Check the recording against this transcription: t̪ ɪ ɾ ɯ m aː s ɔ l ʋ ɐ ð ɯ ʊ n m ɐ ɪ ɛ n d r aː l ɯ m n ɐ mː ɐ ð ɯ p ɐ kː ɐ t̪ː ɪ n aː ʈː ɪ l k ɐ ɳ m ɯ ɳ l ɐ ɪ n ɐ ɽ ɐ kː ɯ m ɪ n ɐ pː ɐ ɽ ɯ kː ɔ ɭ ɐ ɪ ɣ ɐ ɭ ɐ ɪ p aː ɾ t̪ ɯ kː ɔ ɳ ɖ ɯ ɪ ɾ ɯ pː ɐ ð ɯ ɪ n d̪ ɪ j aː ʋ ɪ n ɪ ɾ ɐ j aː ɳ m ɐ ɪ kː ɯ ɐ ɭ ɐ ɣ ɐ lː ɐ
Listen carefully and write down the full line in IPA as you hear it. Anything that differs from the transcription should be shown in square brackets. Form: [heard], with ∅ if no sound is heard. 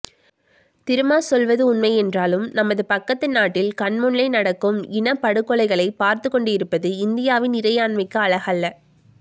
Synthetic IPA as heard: t̪ ɪ ɾ ɯ m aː s ɔ l ʋ ɐ ð ɯ ʊ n m ɐ ɪ ɛ n d r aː l ɯ m n ɐ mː ɐ ð ɯ p ɐ kː ɐ t̪ː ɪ n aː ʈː ɪ l k ɐ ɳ m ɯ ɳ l ɐ ɪ n ɐ ɽ ɐ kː ɯ m ɪ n ɐ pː ɐ ɽ ɯ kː ɔ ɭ ɐ ɪ ɣ ɐ ɭ ɐ ɪ p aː ɾ t̪ ɯ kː ɔ ɳ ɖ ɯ ɪ ɾ ɯ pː ɐ ð ɯ ɪ n d̪ ɪ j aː ʋ ɪ n ɪ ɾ ɐ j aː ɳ m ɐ ɪ kː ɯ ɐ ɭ ɐ ɣ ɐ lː ɐ